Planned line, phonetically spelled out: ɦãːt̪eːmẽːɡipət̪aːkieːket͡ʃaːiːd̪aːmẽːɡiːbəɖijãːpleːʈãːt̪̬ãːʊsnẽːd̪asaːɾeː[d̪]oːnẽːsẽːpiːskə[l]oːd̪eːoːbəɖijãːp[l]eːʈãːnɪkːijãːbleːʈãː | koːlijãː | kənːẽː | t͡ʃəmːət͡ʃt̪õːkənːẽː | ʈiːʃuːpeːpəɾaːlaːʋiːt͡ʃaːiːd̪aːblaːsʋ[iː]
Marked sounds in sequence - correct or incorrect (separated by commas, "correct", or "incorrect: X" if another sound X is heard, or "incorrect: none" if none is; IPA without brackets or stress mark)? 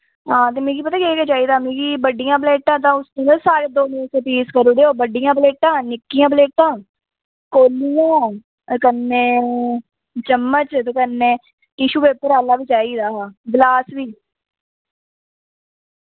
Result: correct, incorrect: ɾ, correct, correct